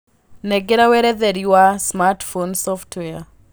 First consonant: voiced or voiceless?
voiced